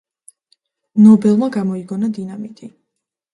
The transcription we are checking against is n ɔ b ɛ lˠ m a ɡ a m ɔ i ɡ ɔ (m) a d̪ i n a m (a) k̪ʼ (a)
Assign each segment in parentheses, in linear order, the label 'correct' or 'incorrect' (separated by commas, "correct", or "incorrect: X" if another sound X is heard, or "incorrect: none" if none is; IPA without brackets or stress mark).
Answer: incorrect: n, incorrect: i, incorrect: i